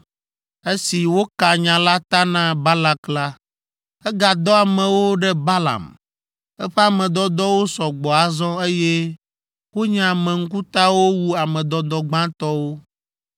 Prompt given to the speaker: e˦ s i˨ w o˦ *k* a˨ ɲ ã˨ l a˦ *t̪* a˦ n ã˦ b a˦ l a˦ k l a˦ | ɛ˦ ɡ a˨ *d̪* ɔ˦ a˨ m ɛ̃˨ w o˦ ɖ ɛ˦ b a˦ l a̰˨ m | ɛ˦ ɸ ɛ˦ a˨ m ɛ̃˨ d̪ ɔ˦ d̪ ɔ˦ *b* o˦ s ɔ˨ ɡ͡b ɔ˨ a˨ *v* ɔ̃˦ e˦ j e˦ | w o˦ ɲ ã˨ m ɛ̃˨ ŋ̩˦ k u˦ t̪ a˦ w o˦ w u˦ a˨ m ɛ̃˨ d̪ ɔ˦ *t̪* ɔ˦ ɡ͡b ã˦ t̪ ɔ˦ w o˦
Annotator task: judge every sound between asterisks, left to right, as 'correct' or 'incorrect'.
correct, correct, correct, incorrect: w, incorrect: z, incorrect: d̪

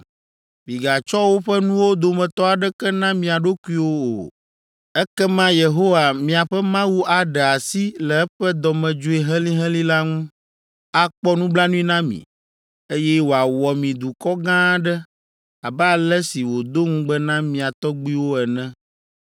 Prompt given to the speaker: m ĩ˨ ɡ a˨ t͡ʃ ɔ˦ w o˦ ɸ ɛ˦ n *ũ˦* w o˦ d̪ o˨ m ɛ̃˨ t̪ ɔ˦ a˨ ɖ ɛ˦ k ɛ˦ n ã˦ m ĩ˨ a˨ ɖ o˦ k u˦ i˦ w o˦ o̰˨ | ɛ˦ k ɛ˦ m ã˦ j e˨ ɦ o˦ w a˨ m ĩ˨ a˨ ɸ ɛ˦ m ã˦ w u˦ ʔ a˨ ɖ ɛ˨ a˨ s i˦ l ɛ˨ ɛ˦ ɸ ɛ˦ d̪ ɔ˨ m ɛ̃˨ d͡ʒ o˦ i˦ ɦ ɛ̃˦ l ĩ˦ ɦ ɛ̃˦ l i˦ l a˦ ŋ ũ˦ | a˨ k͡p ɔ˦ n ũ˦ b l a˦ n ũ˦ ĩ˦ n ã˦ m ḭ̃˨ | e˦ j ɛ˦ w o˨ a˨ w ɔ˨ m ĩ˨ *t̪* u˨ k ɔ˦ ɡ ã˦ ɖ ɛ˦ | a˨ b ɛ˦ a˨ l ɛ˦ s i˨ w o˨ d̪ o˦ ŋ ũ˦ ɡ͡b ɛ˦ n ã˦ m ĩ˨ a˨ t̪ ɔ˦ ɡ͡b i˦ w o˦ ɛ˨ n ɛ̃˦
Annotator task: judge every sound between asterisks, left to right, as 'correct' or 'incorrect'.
correct, incorrect: d̪

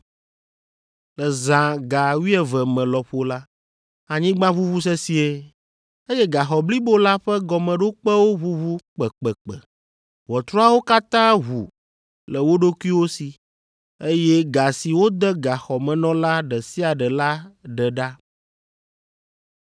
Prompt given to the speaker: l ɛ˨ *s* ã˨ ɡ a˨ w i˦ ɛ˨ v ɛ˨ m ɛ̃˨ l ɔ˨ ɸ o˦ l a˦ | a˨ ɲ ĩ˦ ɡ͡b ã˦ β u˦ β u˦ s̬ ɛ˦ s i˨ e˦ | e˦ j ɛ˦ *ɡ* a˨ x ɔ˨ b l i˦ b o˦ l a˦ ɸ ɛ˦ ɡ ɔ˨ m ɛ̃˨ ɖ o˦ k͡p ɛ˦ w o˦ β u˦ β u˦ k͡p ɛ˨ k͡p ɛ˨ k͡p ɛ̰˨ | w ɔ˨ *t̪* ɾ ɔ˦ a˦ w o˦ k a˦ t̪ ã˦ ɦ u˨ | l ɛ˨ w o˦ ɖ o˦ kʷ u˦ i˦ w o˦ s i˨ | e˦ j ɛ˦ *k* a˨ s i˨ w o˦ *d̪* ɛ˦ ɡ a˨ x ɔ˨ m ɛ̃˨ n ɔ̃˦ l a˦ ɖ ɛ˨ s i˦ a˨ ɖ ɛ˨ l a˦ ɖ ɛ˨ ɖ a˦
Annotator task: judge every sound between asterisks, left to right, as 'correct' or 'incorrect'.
incorrect: z, correct, correct, incorrect: ɡ, correct

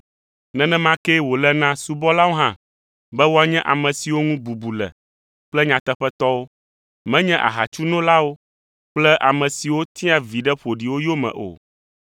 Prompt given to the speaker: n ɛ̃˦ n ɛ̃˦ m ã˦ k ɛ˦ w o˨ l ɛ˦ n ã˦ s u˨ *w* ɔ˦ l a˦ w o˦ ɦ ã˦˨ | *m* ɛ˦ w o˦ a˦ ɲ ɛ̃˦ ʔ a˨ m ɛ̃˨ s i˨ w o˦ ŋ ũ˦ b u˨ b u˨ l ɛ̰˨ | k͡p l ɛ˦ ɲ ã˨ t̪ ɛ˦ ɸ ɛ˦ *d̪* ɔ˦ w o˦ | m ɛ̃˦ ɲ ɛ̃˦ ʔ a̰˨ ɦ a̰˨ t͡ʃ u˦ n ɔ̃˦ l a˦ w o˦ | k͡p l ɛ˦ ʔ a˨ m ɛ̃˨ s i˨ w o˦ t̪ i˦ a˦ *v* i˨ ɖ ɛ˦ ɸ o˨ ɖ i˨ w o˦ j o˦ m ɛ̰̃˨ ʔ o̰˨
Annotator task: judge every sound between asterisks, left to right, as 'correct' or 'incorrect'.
incorrect: b, incorrect: b, incorrect: t̪, correct

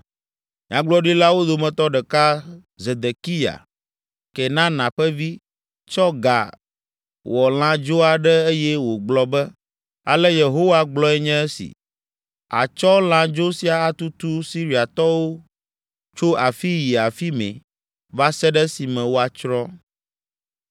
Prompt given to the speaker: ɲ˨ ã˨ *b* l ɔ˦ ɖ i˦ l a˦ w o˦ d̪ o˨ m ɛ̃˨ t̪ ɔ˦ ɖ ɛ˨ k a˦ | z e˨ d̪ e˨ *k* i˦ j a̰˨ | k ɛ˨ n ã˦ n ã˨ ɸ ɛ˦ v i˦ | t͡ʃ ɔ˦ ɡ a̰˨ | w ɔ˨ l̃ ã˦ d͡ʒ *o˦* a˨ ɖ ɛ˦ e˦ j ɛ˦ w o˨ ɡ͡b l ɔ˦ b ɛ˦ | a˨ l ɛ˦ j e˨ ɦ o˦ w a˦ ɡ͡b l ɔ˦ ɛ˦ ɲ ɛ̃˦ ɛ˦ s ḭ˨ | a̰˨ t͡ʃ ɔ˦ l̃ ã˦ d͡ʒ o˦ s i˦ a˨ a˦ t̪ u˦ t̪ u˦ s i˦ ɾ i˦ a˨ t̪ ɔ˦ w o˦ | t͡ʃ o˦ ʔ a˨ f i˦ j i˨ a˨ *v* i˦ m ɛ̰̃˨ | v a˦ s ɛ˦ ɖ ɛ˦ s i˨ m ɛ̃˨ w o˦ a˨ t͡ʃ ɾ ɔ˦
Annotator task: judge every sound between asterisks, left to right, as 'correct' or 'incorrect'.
incorrect: ɡ͡b, correct, correct, incorrect: f

